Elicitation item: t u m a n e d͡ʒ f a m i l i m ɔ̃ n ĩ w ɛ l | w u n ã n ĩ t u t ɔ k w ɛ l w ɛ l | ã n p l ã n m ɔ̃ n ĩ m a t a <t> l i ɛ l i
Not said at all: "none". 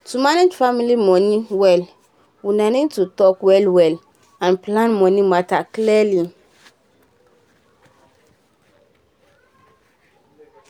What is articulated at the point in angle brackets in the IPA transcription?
k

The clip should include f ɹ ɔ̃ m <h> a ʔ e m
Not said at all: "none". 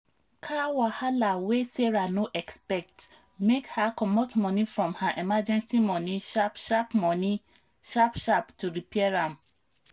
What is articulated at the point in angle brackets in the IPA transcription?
h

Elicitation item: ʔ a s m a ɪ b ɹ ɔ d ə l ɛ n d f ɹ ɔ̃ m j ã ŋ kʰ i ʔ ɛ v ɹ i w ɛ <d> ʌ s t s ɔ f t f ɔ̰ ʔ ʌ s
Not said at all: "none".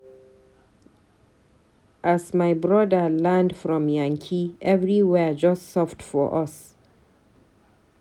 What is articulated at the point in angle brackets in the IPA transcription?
d͡ʒ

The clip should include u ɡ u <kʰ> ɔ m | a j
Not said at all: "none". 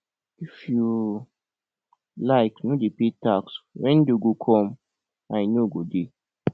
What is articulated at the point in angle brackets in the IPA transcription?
kʰ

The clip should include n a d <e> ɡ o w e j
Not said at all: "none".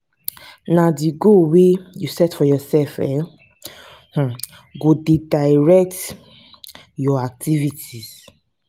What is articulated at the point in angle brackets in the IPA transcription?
i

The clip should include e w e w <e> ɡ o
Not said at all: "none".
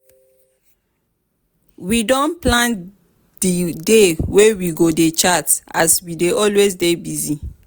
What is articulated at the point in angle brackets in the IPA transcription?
i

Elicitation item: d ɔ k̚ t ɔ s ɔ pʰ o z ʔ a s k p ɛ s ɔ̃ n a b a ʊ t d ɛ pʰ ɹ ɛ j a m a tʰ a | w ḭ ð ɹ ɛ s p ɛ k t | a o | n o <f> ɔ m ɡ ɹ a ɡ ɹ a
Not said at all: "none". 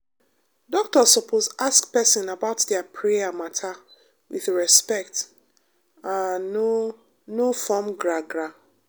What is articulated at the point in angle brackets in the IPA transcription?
f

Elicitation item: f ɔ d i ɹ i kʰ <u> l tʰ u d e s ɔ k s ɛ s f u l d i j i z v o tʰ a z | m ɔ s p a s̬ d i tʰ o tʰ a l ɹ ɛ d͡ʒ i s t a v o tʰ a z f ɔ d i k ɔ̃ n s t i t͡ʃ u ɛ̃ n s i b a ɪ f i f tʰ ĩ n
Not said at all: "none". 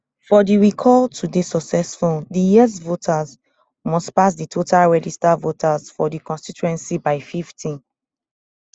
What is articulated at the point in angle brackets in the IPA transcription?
ɔ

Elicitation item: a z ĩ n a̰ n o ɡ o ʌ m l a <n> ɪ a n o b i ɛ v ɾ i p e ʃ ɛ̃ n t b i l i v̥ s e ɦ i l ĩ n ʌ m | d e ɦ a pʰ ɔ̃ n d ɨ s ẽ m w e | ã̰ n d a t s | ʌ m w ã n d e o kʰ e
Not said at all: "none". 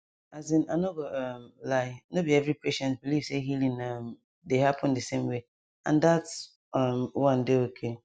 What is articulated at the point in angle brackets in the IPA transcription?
none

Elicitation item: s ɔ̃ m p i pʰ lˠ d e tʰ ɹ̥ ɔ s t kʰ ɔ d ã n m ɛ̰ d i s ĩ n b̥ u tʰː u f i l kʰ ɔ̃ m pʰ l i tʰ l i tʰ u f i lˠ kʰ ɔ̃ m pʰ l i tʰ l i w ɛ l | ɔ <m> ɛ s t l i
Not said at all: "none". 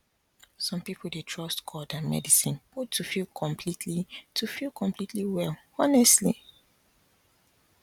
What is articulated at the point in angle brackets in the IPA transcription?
n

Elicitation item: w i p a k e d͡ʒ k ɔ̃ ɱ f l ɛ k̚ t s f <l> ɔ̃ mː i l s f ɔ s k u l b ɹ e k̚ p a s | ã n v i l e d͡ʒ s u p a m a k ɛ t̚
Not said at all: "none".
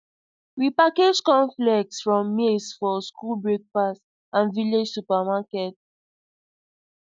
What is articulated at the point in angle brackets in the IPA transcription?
ɹ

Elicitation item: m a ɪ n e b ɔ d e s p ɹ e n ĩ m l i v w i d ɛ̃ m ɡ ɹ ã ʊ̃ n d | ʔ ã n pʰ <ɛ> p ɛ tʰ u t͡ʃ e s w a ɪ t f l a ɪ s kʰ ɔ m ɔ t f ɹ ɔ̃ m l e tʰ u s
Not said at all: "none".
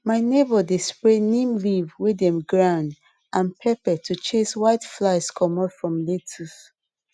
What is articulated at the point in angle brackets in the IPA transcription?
ɛ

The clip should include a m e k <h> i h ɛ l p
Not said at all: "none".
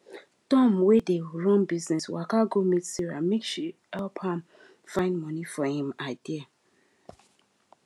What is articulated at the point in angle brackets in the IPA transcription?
ʃ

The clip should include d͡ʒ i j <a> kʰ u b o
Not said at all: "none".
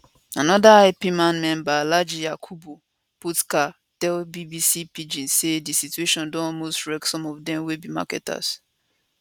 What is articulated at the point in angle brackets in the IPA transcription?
a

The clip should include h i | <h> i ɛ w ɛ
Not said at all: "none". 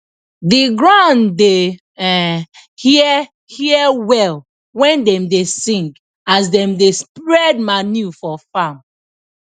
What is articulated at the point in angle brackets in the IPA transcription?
h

